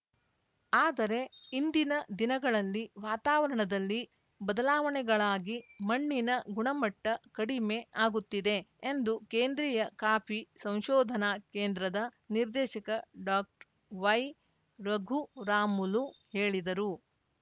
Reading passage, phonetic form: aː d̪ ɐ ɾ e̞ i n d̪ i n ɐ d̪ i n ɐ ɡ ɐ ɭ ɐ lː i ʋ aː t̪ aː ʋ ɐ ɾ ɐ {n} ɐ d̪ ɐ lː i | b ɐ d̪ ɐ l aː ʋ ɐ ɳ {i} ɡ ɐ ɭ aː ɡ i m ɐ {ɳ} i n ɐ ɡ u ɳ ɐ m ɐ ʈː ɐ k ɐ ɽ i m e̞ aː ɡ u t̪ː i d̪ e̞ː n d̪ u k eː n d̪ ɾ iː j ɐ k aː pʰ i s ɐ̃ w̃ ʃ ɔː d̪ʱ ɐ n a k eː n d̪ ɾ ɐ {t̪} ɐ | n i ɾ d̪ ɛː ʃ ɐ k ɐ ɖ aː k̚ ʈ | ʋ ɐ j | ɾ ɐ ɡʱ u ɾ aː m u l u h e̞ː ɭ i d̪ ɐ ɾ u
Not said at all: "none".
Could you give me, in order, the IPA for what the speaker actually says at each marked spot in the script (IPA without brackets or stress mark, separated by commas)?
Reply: ɳ, ɛ, ɳː, d̪